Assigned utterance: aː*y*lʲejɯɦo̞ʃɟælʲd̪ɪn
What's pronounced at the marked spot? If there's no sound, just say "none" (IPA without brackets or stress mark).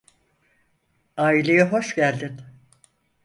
i